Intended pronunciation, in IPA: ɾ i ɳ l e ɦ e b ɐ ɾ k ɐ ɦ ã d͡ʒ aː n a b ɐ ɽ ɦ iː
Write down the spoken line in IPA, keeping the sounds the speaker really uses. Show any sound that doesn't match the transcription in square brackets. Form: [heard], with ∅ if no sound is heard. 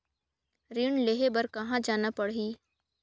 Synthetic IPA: ɾ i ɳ l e ɦ e b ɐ ɾ k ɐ ɦ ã d͡ʒ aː n a [p] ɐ ɽ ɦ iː